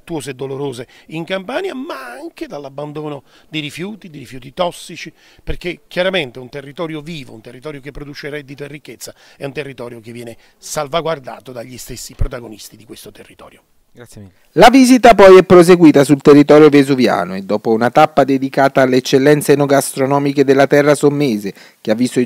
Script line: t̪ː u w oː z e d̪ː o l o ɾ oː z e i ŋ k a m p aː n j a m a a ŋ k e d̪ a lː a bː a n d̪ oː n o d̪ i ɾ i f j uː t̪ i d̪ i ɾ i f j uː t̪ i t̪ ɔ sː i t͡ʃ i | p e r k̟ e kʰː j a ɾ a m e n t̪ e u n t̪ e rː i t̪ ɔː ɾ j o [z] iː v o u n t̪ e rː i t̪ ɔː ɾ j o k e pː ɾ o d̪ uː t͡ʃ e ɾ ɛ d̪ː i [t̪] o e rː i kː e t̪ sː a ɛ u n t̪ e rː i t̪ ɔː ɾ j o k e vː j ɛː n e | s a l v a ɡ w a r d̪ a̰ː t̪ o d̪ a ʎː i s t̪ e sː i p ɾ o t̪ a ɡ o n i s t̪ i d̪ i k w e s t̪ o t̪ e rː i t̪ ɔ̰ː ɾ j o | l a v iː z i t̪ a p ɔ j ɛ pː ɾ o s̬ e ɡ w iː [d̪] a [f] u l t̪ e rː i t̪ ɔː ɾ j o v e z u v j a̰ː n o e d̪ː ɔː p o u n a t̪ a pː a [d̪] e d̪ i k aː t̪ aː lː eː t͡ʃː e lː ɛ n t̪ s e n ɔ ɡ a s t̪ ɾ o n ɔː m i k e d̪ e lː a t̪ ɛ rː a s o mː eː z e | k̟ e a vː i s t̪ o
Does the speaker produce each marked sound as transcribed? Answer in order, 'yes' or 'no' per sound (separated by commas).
no, yes, no, no, yes